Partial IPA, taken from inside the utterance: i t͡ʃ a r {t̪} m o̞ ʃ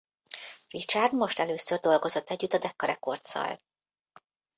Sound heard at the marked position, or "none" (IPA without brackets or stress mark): d̪